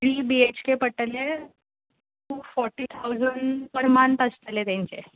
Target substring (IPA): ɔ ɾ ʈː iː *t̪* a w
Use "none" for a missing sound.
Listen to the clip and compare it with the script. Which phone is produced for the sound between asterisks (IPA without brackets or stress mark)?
t̪ʰ